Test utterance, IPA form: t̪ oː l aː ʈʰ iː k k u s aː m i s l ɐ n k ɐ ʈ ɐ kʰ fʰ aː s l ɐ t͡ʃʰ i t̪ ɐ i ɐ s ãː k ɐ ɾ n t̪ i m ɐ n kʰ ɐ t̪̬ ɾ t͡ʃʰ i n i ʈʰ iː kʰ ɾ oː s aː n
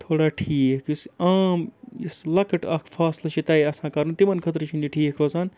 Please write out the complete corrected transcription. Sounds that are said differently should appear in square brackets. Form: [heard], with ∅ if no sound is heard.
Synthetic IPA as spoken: [t̪ʰ] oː [ɽ] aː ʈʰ iː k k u s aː m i s l ɐ [∅] k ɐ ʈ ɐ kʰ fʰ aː s l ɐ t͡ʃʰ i t̪ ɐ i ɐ s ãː k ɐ ɾ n t̪ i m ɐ n kʰ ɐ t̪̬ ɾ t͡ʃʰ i n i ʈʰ iː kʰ ɾ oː s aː n